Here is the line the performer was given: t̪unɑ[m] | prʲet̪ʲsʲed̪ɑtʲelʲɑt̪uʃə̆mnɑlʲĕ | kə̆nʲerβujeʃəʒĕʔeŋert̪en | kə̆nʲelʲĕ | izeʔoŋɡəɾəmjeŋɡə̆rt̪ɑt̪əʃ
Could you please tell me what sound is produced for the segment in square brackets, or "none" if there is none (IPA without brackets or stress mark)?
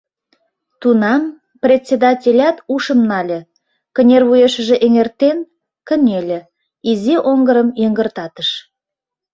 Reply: m